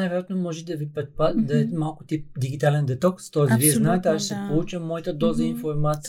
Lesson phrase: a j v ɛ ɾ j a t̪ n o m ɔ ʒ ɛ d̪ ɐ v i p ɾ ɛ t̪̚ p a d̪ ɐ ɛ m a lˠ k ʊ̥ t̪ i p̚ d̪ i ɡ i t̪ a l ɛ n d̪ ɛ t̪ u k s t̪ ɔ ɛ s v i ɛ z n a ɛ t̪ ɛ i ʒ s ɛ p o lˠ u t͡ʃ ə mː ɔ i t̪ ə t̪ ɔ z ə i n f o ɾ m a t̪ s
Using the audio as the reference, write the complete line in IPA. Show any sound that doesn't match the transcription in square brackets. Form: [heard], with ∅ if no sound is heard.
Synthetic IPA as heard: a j v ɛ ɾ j a t̪ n o m ɔ ʒ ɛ d̪ ɐ v i p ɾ ɛ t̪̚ p a d̪ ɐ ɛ m a lˠ k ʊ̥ t̪ i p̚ d̪ i ɡ i t̪ a l ɛ n d̪ ɛ t̪ [ɔ] k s t̪ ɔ ɛ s v i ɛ z n a ɛ t̪ ɛ [a] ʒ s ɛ p o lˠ u t͡ʃ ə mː ɔ i t̪ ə [d̪] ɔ z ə i n f o ɾ m a t̪ s